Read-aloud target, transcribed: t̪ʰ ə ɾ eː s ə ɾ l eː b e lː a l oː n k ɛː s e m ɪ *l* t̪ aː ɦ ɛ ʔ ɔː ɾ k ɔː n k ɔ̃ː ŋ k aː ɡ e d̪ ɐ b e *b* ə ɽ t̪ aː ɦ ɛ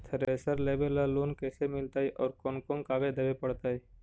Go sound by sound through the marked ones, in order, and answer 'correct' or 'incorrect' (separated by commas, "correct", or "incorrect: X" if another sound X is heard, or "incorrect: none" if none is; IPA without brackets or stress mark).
correct, incorrect: p